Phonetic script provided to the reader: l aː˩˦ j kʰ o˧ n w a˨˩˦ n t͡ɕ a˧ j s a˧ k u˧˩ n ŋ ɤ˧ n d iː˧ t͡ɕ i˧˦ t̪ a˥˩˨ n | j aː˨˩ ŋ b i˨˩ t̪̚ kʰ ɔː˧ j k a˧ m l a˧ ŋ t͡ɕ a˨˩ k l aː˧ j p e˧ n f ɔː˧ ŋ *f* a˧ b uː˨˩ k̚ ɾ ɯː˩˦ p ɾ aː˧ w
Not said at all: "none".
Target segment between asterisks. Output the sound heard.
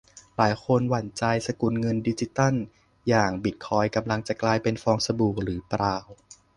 s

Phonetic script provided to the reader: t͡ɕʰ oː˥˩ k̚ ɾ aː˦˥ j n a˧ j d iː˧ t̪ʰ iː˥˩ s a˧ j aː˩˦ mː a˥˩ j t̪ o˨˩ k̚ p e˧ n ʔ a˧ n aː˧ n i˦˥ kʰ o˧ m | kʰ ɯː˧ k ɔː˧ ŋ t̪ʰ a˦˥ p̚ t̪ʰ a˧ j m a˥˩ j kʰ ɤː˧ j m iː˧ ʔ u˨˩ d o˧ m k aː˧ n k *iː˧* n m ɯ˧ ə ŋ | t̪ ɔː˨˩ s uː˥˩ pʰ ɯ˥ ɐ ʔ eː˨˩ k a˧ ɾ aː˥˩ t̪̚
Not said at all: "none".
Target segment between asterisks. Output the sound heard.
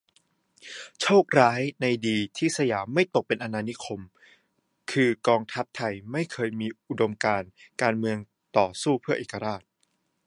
aː˧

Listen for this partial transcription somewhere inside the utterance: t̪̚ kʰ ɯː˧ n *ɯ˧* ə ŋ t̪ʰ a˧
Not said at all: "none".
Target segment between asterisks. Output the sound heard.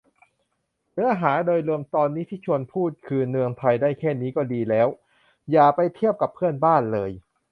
ɯ˧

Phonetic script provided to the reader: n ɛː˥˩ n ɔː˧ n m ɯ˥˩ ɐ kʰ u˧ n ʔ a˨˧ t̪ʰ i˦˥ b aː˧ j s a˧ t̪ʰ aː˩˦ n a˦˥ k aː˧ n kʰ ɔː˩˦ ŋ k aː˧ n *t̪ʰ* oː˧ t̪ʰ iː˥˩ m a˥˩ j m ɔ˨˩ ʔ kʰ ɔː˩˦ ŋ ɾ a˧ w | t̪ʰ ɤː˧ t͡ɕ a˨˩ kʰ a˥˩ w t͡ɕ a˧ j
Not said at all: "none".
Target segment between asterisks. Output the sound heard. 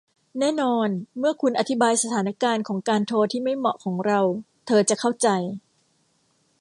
t̪ʰ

